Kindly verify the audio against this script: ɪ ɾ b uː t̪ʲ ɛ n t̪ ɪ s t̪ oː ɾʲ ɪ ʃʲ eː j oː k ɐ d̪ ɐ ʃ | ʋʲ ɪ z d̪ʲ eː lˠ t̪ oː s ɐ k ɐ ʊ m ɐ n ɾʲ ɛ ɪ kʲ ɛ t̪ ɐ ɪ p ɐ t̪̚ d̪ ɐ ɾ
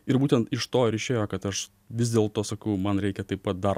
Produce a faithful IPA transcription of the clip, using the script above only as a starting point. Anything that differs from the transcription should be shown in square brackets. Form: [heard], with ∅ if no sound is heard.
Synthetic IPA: ɪ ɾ b uː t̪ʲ ɛ n t̪ ɪ [ʃ] t̪ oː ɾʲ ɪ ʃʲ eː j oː k ɐ [t̪] ɐ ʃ | ʋʲ ɪ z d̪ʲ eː lˠ t̪ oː s ɐ k ɐ ʊ m ɐ n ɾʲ ɛ ɪ kʲ ɛ t̪ ɐ ɪ p ɐ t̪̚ d̪ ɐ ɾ